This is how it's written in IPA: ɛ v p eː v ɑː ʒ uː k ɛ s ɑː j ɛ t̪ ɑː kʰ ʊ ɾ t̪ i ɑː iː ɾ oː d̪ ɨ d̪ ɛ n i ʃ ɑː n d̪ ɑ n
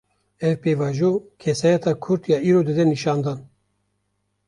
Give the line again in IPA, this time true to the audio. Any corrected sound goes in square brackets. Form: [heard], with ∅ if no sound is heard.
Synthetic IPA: ɛ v p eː v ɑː ʒ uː [kʰ] ɛ s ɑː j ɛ t̪ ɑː kʰ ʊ ɾ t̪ [j] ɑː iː ɾ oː d̪ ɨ d̪ ɛ n i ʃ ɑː n d̪ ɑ n